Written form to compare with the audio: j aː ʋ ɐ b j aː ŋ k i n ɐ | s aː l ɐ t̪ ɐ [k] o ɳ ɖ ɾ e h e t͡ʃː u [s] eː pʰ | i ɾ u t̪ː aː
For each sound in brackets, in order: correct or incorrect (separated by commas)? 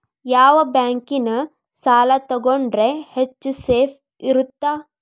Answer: incorrect, correct